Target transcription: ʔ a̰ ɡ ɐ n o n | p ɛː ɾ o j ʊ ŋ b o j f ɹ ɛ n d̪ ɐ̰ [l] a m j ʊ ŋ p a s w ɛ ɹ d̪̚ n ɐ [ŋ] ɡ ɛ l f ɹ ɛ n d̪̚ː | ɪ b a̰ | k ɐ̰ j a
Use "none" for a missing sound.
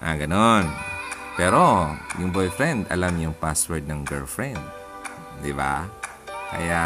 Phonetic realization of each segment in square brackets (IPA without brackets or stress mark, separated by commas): l, ŋ